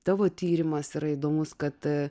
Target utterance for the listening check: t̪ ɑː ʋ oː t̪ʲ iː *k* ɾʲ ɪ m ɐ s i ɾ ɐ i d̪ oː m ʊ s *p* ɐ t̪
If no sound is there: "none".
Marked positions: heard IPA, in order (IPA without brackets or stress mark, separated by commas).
none, k